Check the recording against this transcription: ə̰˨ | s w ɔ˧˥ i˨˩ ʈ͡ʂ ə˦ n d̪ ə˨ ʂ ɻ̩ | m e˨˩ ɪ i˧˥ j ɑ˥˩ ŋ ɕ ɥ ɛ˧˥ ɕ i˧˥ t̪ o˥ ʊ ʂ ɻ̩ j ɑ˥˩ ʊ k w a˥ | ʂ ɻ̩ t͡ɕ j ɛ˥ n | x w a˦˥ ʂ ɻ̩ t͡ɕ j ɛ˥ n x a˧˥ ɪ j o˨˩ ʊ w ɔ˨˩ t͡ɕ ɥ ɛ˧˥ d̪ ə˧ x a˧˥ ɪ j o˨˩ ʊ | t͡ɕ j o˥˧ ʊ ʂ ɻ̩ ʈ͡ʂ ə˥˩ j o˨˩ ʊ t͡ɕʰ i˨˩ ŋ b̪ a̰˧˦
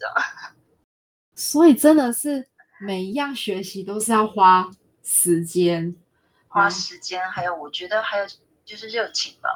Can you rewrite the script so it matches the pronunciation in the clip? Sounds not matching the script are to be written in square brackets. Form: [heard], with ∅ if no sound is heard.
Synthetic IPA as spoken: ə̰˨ | s w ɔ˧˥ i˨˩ ʈ͡ʂ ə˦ n d̪ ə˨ ʂ ɻ̩ | m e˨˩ ɪ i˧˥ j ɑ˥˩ ŋ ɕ ɥ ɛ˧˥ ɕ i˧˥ t̪ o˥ ʊ ʂ ɻ̩ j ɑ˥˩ ʊ [x] w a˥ | ʂ ɻ̩ t͡ɕ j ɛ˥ n | x w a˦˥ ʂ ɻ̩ t͡ɕ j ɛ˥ n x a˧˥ ɪ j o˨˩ ʊ w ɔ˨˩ t͡ɕ ɥ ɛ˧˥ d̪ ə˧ x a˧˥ ɪ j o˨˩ ʊ | t͡ɕ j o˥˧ ʊ ʂ ɻ̩ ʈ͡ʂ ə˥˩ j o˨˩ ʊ t͡ɕʰ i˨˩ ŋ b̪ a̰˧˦